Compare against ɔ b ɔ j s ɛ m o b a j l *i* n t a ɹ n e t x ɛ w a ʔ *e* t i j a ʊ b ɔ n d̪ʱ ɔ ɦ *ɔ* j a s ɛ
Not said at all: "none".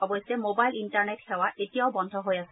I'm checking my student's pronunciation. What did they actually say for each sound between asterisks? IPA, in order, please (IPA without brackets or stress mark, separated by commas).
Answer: i, e, o